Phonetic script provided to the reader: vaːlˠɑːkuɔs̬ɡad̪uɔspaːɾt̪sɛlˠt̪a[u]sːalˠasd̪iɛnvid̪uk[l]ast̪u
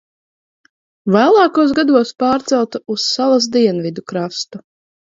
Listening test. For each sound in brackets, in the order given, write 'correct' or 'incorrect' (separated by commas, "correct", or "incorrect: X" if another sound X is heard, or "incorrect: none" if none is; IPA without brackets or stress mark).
correct, incorrect: ɾ